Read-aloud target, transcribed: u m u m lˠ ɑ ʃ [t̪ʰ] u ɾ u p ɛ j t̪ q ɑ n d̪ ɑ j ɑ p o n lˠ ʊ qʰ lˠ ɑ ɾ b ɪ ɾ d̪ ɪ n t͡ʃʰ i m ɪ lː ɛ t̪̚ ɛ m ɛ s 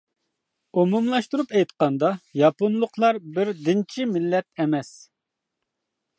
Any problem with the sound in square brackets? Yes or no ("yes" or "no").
yes